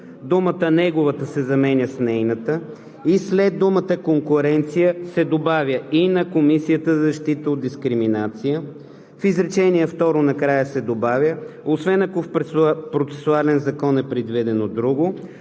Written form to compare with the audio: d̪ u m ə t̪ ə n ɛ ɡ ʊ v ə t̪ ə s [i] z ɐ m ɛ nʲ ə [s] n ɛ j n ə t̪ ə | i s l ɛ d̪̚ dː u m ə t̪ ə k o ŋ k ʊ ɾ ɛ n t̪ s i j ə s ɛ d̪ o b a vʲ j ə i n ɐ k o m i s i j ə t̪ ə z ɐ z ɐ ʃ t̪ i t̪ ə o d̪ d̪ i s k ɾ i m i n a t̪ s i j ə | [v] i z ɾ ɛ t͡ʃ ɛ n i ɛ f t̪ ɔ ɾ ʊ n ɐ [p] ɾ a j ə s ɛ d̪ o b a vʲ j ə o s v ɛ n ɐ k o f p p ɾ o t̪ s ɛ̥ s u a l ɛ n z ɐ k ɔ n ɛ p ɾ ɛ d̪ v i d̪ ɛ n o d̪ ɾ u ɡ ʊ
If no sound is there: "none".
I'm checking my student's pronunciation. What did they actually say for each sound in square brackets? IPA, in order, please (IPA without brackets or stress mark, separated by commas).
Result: ɛ, s, f, k